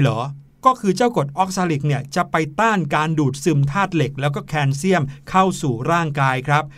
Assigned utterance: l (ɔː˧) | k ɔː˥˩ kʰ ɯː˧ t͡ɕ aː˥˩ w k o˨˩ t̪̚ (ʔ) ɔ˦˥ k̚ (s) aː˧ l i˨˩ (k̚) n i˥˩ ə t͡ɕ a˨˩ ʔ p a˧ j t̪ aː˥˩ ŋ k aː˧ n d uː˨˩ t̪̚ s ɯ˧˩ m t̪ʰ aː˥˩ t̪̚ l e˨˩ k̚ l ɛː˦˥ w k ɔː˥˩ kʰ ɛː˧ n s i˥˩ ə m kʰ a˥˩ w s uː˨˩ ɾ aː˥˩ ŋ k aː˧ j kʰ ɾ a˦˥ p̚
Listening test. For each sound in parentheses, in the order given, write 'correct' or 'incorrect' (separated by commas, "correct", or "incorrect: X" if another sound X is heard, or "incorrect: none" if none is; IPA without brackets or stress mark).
incorrect: ɔː˩˦, correct, correct, correct